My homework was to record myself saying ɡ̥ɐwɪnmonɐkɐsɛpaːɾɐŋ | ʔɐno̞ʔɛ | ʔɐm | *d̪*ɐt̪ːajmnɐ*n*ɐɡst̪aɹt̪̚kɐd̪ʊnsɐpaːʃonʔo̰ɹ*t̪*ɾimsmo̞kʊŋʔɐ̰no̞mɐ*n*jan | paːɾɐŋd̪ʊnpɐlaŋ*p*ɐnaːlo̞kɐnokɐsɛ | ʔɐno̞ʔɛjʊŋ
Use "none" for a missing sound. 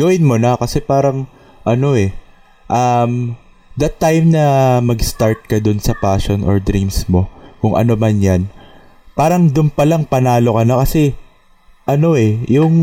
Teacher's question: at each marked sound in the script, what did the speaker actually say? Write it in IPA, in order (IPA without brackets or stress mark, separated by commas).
d̪, m, d̪, n, p